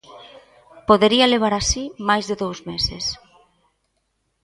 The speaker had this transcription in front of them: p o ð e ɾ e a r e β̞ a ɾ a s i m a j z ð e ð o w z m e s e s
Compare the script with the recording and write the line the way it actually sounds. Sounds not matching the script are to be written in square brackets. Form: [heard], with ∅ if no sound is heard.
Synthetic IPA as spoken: p o ð e ɾ [i] a [l] e β̞ a ɾ a s i m a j z ð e ð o w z m e s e s